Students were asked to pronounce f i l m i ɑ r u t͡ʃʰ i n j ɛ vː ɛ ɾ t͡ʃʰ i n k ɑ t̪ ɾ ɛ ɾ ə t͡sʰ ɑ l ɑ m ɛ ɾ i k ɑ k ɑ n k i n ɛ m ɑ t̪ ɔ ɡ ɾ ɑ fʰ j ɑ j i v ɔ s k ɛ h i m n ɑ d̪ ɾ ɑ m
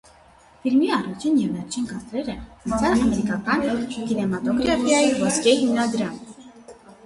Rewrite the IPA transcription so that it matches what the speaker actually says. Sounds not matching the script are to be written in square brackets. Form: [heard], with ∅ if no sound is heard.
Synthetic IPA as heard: f i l m i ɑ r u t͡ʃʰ i n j ɛ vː ɛ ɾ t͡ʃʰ i n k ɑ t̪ ɾ ɛ ɾ ə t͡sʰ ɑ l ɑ m ɛ ɾ i k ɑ k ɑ n k i n ɛ m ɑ t̪ ɔ ɡ ɾ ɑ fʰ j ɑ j i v ɔ s k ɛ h i m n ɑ d̪ ɾ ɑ m